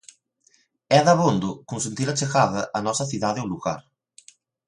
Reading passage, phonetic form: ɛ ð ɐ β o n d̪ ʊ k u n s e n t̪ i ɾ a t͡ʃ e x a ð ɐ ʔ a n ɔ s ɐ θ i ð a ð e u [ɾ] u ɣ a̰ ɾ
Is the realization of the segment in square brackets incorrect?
yes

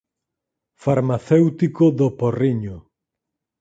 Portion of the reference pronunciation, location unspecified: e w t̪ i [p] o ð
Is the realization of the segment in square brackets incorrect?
yes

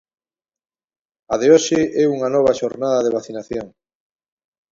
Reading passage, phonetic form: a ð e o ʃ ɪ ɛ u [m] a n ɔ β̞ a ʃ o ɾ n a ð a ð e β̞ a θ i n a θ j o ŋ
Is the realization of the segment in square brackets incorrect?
yes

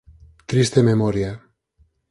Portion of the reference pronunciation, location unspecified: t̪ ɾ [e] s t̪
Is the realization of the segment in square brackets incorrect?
yes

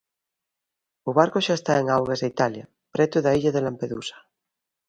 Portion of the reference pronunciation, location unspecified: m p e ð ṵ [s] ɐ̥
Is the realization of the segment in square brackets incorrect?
no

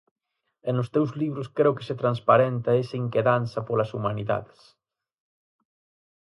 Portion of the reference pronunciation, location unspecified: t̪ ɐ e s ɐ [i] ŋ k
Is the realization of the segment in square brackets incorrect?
no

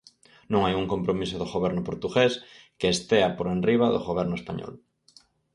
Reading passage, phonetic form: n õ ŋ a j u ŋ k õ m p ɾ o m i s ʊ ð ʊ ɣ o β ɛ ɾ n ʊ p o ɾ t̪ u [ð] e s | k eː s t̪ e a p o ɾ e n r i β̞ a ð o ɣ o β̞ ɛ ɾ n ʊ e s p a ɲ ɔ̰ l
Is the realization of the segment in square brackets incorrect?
yes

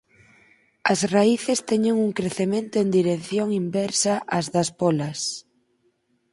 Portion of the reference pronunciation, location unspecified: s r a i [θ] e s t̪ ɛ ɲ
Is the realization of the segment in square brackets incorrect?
no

